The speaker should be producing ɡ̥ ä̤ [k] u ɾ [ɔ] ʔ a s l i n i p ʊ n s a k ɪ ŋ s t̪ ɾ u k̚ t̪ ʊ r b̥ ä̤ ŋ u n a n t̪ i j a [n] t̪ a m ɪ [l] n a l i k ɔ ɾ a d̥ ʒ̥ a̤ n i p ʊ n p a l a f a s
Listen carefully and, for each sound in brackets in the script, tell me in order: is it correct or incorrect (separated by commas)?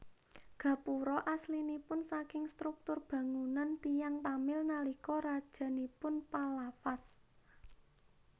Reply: incorrect, correct, incorrect, correct